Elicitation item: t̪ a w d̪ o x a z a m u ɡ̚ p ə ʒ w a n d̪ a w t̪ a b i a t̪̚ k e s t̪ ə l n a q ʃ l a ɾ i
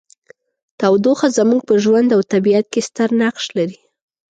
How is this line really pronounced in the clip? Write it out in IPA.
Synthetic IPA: t̪ a w d̪ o x a z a m u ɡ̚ p ə ʒ w a n d̪ a w t̪ a b i a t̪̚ k e s t̪ ə ɾ n a q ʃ l a ɾ i

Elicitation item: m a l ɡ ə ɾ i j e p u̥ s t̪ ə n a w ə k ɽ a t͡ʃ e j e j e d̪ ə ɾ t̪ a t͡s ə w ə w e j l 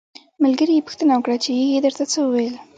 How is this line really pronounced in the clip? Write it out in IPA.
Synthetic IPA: m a l ɡ ə ɾ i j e p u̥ x t̪ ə n a w ə k ɽ a t͡ʃ e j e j e d̪ ə ɾ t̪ a t͡s ə w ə w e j l

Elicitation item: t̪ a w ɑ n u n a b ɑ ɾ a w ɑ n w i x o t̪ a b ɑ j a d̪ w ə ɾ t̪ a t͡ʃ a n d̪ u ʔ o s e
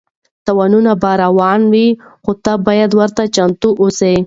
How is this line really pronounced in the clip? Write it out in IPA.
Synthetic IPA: t̪ a w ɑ n u n a b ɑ ɾ a w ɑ n w i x o t̪ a b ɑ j a d̪ w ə ɾ t̪ a t͡ʃ a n t̪ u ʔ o s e

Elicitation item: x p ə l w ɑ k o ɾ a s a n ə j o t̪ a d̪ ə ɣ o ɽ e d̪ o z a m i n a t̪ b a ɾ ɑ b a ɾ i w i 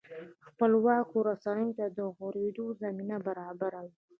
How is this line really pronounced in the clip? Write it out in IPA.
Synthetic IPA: x p ə l w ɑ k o ɾ a s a n ə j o t̪ a d̪ ə ɣ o ɾ e d̪ o z a m i n a b a ɾ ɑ b a ɾ a w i

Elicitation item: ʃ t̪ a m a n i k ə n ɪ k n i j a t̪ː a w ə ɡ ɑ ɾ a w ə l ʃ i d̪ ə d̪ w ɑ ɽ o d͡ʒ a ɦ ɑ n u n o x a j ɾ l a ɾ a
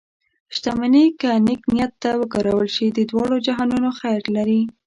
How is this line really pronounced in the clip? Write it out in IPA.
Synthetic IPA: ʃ t̪ a m a n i k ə n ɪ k n i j a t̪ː a w ə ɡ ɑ ɾ a w ə l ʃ i d̪ ə d̪ w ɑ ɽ o d͡ʒ a ɦ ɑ n u n o x a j ɾ l a ɾ i

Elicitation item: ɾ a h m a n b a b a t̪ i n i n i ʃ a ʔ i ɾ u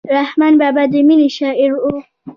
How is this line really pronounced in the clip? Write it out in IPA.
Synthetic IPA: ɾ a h m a n b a b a d̪ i m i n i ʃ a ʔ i ɾ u

